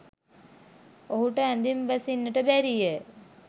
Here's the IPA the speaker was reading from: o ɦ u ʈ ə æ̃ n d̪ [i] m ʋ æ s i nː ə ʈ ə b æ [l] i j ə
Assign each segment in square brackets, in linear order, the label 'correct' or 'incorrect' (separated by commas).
correct, incorrect